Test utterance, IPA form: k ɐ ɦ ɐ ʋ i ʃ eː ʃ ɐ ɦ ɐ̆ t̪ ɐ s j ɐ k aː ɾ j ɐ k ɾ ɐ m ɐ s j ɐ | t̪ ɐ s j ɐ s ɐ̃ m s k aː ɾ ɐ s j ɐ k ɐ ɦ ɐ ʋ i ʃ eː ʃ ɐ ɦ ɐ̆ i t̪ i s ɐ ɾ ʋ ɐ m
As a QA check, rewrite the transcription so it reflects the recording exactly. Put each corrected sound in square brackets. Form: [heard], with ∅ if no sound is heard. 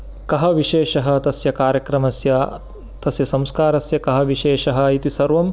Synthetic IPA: k ɐ ɦ ɐ ʋ i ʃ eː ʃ ɐ ɦ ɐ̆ t̪ ɐ s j ɐ k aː ɾ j ɐ k ɾ ɐ m ɐ s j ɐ | t̪ ɐ s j ɐ s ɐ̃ m s k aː ɾ ɐ s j ɐ k ɐ ɦ ɐ ʋ i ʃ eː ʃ ɐ ɦ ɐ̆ i t̪ i s ɐ ɾ ʋ ɐ m